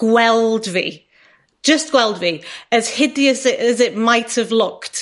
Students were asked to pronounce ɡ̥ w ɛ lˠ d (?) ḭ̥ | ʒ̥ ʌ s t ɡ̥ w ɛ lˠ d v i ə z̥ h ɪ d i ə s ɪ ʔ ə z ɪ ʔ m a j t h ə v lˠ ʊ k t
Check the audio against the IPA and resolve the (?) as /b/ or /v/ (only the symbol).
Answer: v